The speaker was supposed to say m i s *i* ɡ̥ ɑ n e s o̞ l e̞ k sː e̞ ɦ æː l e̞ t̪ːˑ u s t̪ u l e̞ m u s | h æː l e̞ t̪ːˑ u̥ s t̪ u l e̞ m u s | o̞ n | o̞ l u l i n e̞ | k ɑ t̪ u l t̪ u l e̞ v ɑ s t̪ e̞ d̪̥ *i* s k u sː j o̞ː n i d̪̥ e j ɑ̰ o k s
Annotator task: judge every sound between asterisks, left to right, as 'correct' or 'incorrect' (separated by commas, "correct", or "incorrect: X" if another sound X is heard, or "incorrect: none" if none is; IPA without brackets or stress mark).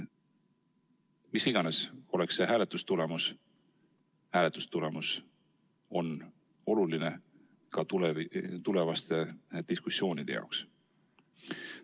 correct, correct